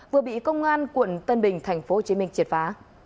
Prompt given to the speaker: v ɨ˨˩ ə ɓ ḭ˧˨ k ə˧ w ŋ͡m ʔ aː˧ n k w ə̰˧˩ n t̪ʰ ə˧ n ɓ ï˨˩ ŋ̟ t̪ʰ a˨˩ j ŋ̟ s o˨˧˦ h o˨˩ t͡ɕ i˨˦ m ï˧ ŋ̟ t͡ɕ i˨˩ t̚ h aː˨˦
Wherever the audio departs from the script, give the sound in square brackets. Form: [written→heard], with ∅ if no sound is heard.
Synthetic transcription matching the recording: v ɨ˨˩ ə ɓ ḭ˧˨ k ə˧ w ŋ͡m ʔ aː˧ n k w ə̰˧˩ n [t̪ʰ→t̪] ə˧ n ɓ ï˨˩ ŋ̟ t̪ʰ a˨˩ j ŋ̟ [s→f] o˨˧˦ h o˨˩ t͡ɕ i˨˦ m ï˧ ŋ̟ t͡ɕ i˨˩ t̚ [h→f] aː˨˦

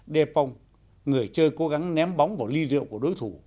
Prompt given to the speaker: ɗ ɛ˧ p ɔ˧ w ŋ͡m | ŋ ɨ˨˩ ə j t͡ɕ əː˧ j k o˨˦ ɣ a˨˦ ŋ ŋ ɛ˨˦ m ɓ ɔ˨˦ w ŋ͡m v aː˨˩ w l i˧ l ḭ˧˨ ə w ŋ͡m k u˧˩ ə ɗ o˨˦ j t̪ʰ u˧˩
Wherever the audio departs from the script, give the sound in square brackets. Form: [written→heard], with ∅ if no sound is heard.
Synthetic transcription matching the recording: ɗ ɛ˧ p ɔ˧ w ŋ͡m | ŋ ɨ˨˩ ə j t͡ɕ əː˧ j k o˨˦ ɣ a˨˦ ŋ [ŋ→n] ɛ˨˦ m ɓ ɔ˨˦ w ŋ͡m v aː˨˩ w l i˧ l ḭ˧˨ ə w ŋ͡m k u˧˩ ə ɗ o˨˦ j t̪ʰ u˧˩

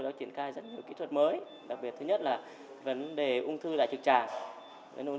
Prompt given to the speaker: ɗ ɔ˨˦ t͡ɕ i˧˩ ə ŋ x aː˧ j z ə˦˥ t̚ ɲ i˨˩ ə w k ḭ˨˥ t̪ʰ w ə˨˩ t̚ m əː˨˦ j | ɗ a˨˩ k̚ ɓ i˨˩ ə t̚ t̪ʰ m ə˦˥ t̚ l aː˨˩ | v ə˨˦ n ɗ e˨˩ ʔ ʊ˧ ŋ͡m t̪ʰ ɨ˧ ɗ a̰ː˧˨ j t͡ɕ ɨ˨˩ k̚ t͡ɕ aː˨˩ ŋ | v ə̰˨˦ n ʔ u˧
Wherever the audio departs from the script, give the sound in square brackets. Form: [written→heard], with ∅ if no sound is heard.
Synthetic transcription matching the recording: ɗ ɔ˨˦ t͡ɕ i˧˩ ə [ŋ→n] x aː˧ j z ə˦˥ t̚ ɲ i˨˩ ə w k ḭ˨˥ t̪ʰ w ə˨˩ t̚ m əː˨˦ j | ɗ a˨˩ k̚ ɓ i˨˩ ə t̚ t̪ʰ [m→ɲ] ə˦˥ t̚ l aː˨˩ | v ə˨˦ n ɗ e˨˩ ʔ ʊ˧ ŋ͡m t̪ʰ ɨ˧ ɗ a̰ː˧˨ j t͡ɕ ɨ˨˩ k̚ t͡ɕ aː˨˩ ŋ | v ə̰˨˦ n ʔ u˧

